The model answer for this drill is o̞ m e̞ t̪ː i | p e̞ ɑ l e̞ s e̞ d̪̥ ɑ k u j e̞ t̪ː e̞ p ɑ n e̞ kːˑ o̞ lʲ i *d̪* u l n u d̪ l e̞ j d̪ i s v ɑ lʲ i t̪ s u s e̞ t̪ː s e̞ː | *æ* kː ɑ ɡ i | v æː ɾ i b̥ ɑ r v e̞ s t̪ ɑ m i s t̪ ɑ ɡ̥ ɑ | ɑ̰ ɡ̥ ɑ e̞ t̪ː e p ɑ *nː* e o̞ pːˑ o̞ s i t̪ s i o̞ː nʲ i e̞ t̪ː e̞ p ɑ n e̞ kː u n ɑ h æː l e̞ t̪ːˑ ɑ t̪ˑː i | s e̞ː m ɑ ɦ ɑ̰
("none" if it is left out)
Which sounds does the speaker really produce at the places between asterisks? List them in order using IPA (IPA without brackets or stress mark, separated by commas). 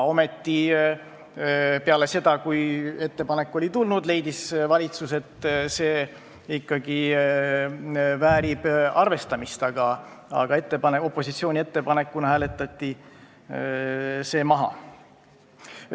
t̪, i, n